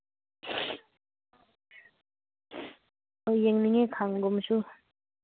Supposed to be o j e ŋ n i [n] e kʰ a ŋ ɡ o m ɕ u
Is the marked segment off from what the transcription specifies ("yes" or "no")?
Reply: yes